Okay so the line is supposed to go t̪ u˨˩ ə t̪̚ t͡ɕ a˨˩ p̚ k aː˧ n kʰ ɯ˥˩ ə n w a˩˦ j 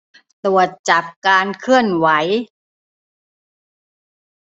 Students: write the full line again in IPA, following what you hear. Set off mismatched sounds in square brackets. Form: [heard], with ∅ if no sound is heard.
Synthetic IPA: t̪ u˨˩ ə t̪̚ t͡ɕ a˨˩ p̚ k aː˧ n kʰ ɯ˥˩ ə n w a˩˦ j

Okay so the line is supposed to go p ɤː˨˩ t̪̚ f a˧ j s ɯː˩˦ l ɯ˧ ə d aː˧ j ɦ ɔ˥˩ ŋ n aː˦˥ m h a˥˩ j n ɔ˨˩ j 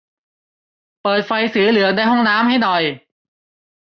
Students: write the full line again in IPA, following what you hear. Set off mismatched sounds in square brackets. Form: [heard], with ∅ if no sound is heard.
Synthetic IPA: p ɤː˨˩ t̪̚ f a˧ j s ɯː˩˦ l [ɯ˩˦] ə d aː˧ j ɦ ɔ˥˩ ŋ n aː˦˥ m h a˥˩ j n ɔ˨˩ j

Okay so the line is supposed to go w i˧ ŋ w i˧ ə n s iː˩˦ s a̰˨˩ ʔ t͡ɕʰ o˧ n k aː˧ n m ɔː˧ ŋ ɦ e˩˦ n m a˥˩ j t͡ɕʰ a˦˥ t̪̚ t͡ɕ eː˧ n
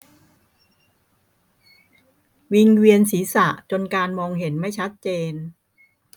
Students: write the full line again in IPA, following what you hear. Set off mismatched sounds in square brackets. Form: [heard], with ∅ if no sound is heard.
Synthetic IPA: w i˧ ŋ w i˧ ə n s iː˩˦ s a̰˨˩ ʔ [t͡ɕ] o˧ n k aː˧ n m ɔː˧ ŋ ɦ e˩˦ n m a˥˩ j t͡ɕʰ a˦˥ t̪̚ t͡ɕ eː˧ n

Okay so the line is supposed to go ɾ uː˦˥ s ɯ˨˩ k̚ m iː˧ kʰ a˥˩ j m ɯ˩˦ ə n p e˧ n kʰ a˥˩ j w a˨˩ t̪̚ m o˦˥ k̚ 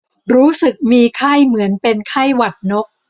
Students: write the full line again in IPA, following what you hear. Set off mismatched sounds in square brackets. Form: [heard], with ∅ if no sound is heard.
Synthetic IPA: ɾ uː˦˥ s ɯ˨˩ k̚ m iː˧ kʰ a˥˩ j m ɯ˩˦ ə n p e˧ n kʰ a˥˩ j w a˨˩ t̪̚ [n] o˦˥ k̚

